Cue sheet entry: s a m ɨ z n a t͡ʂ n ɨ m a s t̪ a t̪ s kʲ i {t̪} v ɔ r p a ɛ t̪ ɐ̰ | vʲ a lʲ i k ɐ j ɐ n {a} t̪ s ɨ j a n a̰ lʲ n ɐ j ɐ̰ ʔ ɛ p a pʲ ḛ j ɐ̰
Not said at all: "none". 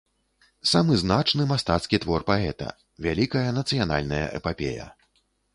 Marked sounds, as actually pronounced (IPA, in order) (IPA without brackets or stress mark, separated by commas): t̪, ɐ